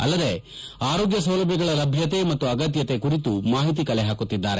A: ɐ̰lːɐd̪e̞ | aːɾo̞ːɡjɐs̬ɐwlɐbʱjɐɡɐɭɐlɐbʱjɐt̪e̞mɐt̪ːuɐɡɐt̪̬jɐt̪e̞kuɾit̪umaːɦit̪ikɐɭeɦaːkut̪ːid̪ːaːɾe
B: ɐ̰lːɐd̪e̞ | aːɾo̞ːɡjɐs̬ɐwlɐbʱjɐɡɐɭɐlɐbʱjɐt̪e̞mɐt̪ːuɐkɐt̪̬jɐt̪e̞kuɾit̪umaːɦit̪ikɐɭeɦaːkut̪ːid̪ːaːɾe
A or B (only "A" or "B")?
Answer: A